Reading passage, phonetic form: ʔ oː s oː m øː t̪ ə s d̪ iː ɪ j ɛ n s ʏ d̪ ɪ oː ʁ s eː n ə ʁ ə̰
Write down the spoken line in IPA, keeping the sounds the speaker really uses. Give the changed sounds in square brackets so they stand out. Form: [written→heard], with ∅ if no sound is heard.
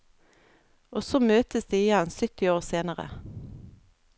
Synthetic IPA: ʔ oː s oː m øː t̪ ə s d̪ iː ɪ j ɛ n s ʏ [d̪→t̪] ɪ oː ʁ s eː n ə ʁ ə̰